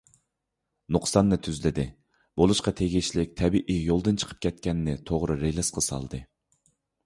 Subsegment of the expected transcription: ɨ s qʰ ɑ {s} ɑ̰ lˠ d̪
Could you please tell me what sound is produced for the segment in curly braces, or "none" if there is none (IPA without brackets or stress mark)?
s